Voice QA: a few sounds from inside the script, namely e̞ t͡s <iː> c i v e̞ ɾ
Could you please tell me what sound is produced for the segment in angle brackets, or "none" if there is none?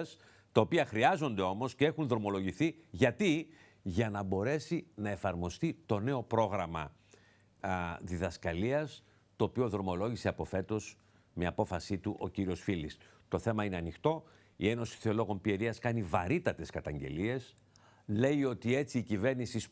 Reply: iː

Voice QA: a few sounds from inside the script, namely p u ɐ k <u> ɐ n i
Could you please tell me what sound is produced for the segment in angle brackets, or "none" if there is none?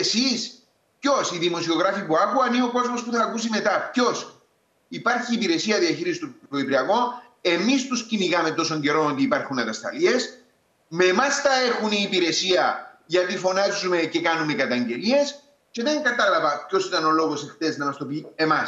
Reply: u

